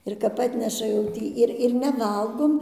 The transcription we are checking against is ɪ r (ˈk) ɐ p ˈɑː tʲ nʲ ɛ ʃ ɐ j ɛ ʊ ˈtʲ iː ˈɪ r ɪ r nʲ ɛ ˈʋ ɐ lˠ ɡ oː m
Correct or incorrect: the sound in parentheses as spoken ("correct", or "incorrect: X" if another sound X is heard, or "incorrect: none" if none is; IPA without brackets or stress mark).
correct